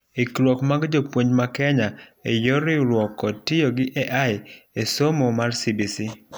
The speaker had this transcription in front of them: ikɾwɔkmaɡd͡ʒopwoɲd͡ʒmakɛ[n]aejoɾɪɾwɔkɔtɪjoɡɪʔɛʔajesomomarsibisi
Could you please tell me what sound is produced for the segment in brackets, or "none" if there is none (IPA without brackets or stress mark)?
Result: ɲ